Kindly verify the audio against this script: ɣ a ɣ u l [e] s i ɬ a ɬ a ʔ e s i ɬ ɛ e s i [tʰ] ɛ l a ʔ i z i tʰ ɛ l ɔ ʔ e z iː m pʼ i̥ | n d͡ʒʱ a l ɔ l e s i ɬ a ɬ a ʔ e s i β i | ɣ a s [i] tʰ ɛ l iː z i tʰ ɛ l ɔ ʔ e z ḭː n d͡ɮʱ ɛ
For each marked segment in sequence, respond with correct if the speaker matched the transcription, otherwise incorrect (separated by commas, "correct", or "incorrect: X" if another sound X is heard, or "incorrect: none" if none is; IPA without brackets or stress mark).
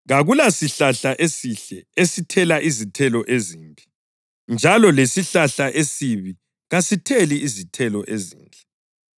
incorrect: a, correct, correct